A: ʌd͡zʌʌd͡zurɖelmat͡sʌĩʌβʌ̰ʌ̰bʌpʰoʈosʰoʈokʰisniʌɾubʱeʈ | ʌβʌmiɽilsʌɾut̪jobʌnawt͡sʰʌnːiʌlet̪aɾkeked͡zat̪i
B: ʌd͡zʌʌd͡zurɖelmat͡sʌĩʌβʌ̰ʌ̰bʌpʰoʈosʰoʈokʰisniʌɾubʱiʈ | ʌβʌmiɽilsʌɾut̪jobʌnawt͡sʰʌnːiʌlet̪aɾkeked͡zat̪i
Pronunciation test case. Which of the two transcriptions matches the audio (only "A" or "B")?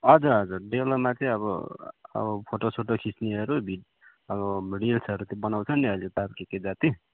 B